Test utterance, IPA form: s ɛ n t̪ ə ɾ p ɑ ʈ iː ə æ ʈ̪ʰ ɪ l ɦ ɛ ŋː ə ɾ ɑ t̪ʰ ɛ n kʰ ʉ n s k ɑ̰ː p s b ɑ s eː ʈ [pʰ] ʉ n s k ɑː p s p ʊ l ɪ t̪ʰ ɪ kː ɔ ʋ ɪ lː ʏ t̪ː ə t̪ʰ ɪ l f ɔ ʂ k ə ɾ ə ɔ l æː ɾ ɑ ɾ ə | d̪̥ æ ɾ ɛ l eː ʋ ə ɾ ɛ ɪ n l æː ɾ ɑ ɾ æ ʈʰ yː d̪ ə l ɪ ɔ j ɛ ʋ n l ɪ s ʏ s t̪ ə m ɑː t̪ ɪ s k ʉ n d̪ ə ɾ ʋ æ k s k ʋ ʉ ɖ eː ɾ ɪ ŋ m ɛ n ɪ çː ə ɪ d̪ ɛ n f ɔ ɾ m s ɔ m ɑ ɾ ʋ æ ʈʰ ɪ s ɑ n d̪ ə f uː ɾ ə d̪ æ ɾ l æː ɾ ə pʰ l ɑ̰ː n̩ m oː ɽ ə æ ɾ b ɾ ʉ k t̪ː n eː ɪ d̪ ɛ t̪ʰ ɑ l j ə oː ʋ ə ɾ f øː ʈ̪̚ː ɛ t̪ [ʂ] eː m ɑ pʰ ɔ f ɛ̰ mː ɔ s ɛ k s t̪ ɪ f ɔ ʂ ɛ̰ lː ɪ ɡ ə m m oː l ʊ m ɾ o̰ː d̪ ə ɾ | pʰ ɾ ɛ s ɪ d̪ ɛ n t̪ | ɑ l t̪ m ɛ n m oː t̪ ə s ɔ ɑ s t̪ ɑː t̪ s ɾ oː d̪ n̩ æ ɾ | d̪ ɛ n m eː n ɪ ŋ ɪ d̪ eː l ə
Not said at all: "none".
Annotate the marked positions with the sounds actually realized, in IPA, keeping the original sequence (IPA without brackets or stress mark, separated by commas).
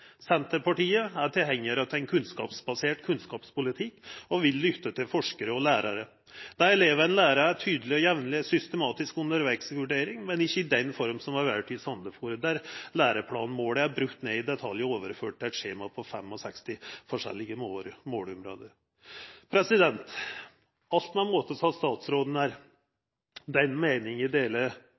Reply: kʰ, ʂ